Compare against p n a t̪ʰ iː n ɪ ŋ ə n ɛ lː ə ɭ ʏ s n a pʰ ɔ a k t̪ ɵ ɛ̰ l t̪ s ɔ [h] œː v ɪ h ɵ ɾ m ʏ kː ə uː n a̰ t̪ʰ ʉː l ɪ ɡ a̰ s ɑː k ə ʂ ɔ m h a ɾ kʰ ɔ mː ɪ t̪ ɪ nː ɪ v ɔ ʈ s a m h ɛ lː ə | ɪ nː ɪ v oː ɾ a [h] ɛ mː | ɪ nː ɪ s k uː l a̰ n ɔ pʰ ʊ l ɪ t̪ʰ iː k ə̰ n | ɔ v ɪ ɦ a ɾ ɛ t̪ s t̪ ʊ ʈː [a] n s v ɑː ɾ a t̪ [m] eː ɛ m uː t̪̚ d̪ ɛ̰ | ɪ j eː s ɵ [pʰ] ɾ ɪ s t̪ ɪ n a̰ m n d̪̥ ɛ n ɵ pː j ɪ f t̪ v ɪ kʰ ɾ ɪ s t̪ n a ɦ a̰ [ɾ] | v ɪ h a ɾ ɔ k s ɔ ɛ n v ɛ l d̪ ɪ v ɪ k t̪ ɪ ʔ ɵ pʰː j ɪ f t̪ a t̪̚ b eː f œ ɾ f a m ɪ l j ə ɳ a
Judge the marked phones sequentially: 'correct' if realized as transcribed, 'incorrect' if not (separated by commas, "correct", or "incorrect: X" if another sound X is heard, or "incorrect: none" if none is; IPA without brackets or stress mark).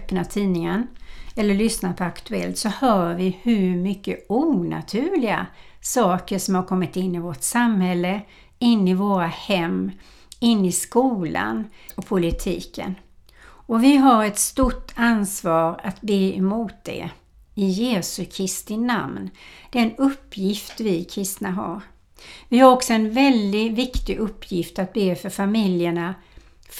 correct, correct, correct, incorrect: b, incorrect: kʰ, correct